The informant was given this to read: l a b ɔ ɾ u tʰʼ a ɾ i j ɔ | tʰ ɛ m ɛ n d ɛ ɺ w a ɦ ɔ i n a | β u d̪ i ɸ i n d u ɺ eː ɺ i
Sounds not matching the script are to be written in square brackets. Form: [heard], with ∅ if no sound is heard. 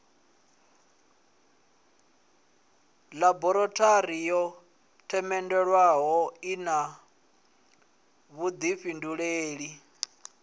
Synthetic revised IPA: l a b ɔ ɾ [ɔ] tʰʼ a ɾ i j ɔ | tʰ ɛ m ɛ n d ɛ ɺ w a ɦ ɔ i n a | β u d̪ i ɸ i n d u ɺ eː ɺ i